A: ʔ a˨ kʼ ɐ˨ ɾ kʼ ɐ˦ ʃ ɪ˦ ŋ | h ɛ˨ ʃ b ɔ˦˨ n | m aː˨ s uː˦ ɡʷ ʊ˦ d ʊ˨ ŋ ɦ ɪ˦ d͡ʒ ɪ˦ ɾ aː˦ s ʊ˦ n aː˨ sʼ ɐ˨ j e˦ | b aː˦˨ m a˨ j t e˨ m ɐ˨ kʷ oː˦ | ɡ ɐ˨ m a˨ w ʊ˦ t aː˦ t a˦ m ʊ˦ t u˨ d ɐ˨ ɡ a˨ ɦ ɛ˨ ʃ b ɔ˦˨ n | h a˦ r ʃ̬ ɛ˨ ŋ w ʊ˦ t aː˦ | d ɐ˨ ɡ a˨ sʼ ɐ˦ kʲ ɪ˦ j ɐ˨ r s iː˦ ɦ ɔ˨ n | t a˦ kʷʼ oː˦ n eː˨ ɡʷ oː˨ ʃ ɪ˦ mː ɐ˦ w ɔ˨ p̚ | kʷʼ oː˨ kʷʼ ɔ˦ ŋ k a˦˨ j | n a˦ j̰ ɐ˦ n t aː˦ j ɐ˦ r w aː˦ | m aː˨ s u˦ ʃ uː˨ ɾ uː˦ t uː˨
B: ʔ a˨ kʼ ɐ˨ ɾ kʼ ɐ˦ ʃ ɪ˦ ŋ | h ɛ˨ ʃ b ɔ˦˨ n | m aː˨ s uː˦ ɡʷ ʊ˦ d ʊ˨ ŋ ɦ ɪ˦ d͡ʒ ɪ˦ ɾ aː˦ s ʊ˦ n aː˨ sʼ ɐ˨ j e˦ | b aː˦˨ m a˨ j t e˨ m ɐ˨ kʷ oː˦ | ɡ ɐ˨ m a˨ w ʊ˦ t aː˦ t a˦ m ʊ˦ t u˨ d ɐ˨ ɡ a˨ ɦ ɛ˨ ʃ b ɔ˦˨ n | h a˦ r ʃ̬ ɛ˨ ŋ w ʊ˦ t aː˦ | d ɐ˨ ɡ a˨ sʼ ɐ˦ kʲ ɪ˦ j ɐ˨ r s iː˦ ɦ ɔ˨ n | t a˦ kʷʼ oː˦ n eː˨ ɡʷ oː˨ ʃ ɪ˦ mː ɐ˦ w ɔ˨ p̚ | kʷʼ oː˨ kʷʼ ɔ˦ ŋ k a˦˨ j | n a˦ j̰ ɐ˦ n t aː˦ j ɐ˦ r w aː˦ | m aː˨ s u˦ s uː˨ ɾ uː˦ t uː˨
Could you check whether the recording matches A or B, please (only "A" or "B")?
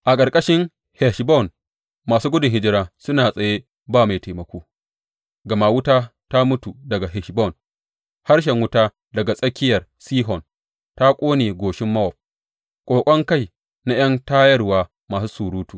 B